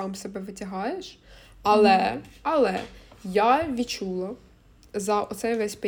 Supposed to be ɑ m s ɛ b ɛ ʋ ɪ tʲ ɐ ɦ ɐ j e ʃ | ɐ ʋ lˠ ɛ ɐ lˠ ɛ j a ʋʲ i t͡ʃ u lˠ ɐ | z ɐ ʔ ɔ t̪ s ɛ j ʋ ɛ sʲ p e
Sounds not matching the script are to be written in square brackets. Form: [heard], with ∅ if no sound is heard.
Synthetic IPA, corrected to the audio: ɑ m s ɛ b ɛ ʋ ɪ tʲ ɐ ɦ [ɑ] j e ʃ | ɐ [∅] lˠ ɛ ɐ lˠ ɛ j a ʋʲ i t͡ʃ u lˠ ɐ | z ɐ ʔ ɔ t̪ s ɛ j ʋ ɛ sʲ p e